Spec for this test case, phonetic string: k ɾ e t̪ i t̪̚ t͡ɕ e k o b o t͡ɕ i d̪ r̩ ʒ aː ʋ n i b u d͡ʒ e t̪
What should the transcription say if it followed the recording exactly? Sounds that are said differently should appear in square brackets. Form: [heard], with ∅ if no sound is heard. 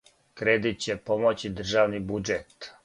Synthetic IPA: k ɾ e [d̪] i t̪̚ t͡ɕ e [p] o [m] o t͡ɕ i d̪ r̩ ʒ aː ʋ n i b u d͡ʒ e t̪